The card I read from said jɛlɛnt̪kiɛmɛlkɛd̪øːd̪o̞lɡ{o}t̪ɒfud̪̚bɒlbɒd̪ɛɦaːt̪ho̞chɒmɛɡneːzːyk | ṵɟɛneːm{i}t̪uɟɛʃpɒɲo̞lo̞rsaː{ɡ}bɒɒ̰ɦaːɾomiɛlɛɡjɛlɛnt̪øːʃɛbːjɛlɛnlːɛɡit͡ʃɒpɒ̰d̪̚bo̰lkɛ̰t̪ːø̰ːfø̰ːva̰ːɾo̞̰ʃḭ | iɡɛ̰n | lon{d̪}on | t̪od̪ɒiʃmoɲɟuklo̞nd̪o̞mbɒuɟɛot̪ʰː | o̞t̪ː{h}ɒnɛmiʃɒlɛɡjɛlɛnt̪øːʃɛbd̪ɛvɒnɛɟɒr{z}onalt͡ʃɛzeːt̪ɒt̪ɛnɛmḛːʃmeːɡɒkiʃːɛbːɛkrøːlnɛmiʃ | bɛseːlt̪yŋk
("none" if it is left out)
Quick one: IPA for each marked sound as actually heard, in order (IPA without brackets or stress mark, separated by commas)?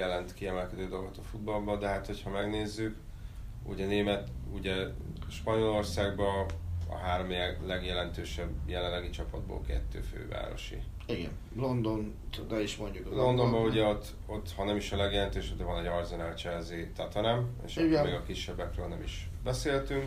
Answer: o, ɛ, ɡ, d̪, h, z